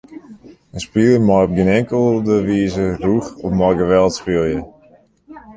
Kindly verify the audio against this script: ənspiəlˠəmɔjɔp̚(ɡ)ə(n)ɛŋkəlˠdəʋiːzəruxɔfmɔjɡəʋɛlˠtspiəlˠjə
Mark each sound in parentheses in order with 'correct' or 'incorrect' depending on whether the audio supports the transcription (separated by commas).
correct, correct